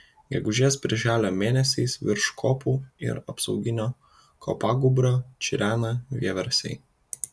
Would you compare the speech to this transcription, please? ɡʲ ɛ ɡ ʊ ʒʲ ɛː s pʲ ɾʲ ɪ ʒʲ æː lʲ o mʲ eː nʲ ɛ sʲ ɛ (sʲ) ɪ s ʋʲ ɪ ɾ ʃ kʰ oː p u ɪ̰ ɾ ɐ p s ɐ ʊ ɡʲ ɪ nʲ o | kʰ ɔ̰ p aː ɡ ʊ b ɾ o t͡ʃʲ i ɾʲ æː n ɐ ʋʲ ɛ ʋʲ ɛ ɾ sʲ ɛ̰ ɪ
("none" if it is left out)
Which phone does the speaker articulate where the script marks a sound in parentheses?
none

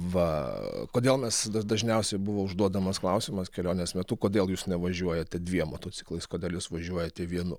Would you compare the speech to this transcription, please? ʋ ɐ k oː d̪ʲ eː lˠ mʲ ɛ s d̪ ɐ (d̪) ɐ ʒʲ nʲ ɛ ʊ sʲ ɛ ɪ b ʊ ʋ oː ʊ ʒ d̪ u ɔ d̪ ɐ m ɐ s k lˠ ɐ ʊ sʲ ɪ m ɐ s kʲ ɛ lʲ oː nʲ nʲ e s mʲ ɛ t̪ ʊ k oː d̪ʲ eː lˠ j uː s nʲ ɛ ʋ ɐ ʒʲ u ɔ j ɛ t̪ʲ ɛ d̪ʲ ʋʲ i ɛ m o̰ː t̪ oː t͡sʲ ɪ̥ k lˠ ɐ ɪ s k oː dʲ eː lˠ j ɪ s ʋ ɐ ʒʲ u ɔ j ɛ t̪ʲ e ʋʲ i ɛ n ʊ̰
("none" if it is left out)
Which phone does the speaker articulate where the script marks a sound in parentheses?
d̪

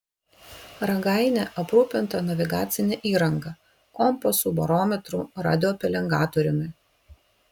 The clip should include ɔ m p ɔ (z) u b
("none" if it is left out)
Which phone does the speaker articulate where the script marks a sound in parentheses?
s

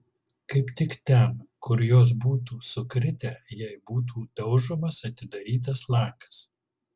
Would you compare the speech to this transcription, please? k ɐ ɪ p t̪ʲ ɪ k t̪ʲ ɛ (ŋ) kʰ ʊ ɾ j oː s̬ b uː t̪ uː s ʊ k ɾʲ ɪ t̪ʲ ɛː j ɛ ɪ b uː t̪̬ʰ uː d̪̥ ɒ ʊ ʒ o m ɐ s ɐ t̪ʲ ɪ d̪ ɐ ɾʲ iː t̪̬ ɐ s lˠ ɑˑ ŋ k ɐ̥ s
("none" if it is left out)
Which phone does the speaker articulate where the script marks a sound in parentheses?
n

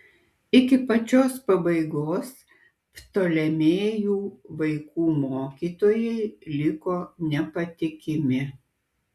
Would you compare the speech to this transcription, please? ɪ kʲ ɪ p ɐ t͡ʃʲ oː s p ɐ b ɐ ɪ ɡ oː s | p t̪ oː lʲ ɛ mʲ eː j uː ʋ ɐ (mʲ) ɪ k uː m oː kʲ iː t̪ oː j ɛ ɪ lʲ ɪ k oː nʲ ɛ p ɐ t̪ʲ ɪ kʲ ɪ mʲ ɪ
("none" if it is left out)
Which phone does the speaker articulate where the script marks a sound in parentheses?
none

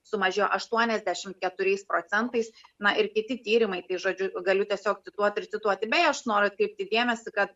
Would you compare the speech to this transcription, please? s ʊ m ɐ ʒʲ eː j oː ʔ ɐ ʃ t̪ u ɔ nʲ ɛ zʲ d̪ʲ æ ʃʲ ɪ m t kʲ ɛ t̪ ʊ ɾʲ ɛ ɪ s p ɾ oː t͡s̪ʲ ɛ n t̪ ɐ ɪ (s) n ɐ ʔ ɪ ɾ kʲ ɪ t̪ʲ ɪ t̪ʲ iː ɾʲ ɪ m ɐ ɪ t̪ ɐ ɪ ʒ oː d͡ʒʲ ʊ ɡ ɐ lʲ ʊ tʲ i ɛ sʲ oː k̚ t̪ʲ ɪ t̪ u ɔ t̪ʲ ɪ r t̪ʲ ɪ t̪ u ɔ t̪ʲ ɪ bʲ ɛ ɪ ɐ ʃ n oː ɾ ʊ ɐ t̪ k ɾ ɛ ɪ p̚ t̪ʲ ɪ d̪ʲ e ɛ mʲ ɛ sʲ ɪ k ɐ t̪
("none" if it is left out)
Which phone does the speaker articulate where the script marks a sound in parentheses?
s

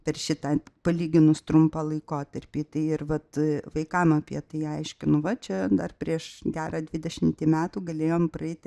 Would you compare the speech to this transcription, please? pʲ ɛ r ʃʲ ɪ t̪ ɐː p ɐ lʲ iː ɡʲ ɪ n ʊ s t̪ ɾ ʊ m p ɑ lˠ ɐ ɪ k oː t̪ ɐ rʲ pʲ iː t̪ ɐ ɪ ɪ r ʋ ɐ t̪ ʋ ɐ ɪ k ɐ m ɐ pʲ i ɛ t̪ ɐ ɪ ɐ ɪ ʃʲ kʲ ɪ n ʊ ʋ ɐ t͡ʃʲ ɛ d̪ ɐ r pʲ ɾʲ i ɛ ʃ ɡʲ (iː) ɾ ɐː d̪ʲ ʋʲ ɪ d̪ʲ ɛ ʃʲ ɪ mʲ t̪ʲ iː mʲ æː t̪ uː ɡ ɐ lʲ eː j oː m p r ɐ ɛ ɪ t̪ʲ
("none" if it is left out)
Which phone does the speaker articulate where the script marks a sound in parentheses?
æː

